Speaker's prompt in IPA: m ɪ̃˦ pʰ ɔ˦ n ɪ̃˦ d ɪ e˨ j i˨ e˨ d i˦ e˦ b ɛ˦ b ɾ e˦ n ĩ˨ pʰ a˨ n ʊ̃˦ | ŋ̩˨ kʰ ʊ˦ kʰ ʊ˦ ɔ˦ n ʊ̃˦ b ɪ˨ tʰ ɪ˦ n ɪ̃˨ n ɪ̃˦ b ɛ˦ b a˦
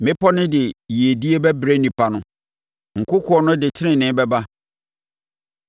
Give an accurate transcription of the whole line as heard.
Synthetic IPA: m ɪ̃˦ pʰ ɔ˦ n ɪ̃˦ d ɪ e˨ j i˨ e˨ d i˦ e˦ b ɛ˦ b ɾ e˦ n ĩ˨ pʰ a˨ n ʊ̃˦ | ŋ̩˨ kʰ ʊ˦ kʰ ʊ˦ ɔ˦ n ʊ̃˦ d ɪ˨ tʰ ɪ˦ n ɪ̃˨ n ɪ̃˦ b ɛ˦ b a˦